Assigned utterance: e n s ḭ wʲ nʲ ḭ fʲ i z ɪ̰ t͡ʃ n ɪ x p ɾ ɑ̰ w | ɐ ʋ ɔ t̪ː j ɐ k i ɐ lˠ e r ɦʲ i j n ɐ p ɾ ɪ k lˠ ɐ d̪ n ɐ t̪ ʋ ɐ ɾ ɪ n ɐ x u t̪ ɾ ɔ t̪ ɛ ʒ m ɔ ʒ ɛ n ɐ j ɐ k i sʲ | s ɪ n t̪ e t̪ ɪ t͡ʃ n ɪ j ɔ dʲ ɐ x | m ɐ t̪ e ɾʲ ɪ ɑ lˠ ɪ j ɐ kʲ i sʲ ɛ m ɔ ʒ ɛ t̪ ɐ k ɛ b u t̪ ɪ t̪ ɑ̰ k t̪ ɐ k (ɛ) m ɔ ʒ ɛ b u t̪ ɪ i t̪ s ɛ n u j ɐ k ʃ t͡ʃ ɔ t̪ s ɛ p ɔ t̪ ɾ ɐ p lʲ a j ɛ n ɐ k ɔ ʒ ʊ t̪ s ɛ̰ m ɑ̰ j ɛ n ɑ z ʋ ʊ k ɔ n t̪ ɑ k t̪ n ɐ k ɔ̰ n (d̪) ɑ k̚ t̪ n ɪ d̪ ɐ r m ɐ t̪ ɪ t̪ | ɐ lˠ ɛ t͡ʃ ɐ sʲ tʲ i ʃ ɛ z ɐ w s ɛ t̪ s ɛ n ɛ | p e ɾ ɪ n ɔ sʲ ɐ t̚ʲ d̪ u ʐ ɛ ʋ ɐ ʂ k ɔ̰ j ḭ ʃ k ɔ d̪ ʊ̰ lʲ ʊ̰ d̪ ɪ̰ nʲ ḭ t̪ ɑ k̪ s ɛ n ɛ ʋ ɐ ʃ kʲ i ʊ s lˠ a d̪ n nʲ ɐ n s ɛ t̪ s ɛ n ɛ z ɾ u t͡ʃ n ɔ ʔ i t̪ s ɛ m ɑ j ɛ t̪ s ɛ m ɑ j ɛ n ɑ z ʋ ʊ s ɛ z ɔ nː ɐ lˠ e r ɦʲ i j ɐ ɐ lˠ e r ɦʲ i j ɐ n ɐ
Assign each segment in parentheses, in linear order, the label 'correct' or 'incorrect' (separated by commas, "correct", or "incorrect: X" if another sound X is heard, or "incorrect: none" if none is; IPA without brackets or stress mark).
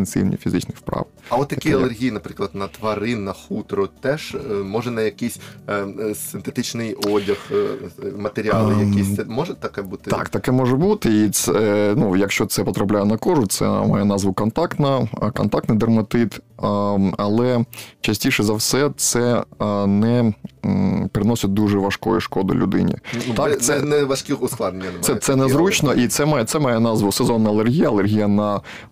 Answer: correct, incorrect: t̪